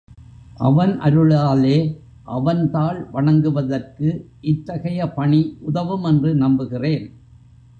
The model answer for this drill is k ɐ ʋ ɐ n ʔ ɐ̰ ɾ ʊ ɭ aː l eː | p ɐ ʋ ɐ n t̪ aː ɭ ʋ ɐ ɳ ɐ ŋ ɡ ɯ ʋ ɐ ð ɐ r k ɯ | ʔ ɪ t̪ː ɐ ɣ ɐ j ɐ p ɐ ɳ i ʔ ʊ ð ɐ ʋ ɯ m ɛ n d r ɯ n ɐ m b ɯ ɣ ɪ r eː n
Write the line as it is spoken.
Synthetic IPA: ʔ ɐ ʋ ɐ n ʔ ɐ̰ ɾ ɯ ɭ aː l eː | ʔ ɐ ʋ ɐ n t̪ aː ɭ ʋ ɐ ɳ ɐ ŋ ɡ ɯ ʋ ɐ ð ɐ r k ɯ | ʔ ɪ t̪ː ɐ ɣ ɐ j ɐ p ɐ ɳ i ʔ ʊ ð ɐ ʋ ɯ m ɛ n d r ɯ n ɐ m b ɯ ɣ ɪ r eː n